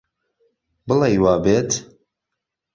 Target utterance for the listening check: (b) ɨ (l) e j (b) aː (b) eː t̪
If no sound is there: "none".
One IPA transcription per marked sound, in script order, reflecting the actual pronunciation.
b, l, w, b

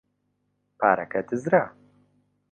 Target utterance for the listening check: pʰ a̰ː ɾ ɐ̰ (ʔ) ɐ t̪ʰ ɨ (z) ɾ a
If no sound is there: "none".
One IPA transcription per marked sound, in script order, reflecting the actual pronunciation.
k, z

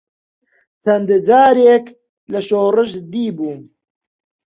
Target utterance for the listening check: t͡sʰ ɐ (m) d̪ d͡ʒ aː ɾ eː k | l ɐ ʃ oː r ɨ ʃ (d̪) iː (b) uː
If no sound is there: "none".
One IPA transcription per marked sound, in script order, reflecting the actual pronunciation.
n, d̪, b

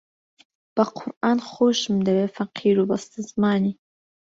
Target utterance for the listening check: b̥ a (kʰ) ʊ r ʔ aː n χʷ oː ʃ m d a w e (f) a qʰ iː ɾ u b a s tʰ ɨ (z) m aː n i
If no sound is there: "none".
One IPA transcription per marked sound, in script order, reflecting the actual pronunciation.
qʰ, f, z

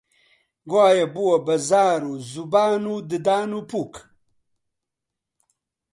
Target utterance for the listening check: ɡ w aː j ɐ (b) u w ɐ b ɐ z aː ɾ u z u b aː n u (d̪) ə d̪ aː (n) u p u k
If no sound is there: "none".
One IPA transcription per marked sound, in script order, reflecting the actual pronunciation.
b, d̪, n

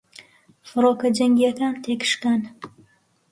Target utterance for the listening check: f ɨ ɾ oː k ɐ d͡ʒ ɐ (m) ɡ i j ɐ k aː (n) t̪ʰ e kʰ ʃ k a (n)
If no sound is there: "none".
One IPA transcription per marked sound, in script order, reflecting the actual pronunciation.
ŋ, n, n

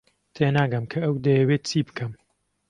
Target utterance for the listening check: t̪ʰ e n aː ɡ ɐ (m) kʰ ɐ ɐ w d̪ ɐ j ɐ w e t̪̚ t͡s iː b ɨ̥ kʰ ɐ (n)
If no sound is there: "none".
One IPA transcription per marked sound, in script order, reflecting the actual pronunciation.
m, m

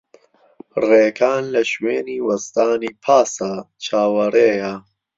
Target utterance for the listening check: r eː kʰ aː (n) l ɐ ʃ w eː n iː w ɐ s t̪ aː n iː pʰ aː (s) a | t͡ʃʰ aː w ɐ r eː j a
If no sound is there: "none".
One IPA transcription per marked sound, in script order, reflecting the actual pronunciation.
n, s

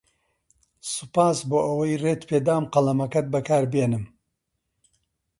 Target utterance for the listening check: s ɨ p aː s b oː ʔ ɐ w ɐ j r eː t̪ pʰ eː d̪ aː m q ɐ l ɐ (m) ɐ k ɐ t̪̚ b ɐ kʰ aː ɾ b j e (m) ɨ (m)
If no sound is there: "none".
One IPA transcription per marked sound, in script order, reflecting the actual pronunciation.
m, n, m

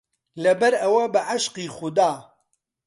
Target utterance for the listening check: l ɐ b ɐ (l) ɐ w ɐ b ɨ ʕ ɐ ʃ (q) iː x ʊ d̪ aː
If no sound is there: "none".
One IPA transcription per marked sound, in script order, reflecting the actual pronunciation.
ɾ, q

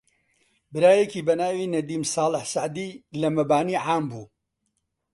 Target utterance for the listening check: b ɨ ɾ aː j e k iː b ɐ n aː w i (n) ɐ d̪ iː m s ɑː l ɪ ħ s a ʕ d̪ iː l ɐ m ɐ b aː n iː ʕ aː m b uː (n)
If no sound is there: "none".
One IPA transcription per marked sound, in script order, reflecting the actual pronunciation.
n, none

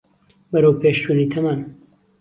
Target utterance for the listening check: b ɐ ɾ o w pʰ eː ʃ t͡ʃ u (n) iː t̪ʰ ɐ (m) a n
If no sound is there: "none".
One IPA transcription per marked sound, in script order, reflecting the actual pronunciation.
n, m

